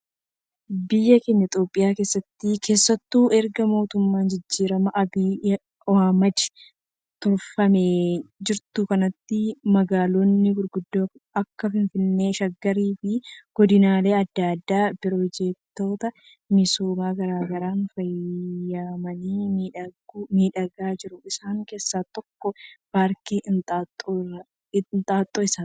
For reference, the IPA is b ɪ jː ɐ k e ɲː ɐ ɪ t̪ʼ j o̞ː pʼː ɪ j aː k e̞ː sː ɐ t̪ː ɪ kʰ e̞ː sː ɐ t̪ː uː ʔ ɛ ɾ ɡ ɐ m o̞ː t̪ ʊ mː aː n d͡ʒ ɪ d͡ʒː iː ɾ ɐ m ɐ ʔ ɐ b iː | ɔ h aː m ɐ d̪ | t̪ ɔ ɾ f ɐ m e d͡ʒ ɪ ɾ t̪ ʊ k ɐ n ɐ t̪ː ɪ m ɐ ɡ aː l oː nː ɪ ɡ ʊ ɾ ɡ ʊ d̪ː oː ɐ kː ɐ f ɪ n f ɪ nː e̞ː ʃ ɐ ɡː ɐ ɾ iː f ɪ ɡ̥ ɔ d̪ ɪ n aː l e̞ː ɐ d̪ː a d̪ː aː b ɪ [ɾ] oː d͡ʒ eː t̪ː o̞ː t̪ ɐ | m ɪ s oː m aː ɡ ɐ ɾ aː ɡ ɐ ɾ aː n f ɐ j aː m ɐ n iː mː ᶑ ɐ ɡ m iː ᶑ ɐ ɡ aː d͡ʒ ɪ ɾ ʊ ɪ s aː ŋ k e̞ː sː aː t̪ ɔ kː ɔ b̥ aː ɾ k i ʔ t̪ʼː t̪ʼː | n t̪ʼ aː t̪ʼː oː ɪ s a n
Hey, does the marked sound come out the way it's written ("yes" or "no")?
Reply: yes